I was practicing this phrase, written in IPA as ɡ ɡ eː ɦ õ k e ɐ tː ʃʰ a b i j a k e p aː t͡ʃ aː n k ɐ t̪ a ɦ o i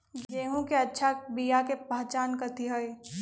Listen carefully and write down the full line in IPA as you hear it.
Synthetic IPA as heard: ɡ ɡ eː ɦ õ k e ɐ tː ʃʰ a b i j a k e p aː t͡ʃ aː n k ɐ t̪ i ɦ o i